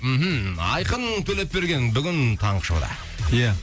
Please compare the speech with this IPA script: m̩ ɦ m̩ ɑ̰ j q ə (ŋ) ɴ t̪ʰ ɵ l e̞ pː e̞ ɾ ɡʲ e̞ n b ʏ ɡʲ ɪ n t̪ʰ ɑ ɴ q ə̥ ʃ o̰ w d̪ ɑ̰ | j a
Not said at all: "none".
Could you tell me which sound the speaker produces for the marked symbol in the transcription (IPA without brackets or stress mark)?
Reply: n